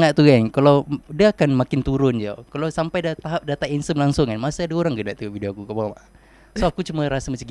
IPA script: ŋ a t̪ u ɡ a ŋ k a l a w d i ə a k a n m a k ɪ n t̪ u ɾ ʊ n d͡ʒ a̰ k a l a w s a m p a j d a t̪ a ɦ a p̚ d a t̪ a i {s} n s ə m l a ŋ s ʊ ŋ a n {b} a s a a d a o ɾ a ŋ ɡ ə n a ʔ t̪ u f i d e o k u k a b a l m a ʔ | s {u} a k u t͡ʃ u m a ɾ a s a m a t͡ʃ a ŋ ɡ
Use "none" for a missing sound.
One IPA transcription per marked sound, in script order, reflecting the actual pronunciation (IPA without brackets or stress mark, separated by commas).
none, m, o